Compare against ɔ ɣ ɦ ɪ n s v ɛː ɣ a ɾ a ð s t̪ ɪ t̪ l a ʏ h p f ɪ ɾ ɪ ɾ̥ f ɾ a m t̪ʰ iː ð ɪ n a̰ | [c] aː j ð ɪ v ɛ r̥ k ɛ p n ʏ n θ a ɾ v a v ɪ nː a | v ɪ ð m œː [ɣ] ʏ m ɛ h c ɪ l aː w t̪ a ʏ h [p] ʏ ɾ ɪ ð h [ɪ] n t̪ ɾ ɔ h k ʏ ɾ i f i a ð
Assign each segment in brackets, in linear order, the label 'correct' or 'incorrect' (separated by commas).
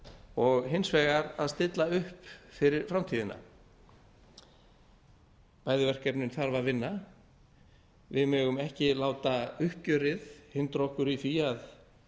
incorrect, correct, incorrect, correct